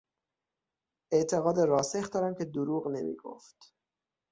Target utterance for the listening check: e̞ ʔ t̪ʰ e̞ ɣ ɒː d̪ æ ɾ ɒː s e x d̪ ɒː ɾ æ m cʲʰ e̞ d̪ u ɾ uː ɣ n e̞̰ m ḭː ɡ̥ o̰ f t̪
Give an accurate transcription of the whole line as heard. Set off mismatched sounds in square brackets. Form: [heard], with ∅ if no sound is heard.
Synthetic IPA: e̞ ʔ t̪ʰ e̞ ɣ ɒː d̪ [e] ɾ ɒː s e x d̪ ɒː ɾ æ m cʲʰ e̞ d̪ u ɾ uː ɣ n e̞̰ m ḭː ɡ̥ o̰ f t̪